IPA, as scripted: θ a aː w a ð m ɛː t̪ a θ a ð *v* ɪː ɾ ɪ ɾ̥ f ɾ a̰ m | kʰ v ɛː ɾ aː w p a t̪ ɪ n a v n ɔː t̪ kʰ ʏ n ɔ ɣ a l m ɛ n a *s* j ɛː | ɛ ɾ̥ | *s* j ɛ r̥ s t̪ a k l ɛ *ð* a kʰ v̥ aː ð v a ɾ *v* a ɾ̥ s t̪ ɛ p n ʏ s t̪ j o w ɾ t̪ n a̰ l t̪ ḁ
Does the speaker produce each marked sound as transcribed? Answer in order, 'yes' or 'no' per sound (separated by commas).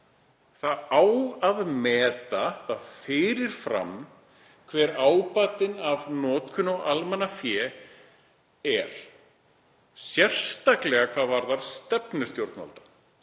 no, no, yes, no, no